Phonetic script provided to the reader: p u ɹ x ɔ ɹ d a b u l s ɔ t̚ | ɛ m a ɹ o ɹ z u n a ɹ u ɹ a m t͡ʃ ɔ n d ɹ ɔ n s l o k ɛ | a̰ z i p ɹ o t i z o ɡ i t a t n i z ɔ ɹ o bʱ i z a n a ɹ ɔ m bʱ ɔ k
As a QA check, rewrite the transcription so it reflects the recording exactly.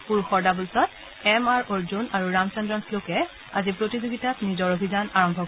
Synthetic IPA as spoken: p u ɹ x ɔ ɹ d a b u l s ɔ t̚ | ɛ m a ɹ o ɹ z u n a ɹ u ɹ a m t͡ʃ ɔ n d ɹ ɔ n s l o k ɛ | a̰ z i p ɹ o t i z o ɡ i t a t n i z ɔ ɹ o bʱ i z a n a ɹ ɔ m bʱ ɔ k